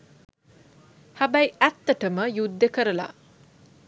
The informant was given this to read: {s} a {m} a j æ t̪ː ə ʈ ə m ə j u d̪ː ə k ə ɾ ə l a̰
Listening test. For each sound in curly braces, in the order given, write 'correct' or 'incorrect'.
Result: incorrect: h, incorrect: b

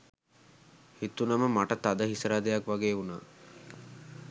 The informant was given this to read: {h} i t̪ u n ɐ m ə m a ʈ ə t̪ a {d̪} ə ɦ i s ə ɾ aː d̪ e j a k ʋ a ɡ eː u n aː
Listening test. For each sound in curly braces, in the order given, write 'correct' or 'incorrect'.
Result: correct, correct

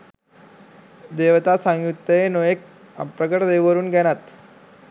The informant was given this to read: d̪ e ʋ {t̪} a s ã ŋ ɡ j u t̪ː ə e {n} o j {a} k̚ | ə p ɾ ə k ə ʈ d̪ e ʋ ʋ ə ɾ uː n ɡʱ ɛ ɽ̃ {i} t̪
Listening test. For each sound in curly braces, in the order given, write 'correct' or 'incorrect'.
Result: correct, correct, incorrect: e, incorrect: a

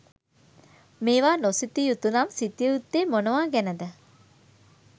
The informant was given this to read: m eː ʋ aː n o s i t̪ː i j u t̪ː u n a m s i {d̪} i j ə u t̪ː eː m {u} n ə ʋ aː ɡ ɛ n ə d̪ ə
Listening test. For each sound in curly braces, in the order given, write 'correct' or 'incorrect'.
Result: incorrect: t̪, incorrect: o

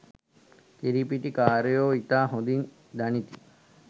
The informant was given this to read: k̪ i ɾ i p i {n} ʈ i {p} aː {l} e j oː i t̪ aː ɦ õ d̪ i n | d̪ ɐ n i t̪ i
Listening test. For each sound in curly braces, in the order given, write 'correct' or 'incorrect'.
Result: incorrect: none, incorrect: k, incorrect: ɾ

